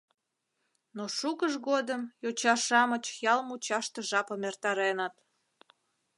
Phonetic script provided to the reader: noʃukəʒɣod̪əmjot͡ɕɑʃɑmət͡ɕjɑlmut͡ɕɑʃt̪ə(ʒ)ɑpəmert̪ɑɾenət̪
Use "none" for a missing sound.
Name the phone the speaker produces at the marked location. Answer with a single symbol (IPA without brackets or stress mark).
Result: ʒ